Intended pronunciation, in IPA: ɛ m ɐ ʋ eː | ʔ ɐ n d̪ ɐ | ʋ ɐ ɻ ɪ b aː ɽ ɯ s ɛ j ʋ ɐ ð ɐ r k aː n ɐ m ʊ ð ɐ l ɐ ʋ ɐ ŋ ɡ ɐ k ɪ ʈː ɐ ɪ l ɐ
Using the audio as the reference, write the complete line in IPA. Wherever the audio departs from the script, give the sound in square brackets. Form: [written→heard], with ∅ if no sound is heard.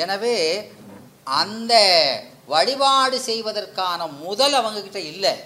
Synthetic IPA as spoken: ɛ [m→n] ɐ ʋ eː | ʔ ɐ n d̪ ɐ | ʋ ɐ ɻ ɪ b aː ɽ ɯ s ɛ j ʋ ɐ ð ɐ r k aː n ɐ m ʊ ð ɐ l ɐ ʋ ɐ ŋ ɡ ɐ k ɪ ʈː ɐ ɪ [l→lː] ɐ